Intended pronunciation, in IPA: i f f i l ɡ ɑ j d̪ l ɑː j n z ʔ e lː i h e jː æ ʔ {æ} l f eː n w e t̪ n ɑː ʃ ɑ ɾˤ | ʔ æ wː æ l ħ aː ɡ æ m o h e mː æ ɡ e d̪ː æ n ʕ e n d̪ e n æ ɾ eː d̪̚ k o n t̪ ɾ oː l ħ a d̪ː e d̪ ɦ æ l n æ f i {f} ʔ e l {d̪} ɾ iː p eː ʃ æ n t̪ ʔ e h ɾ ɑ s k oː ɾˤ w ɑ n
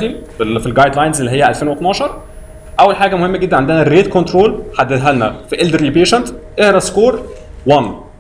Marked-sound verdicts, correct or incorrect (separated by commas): correct, incorrect, correct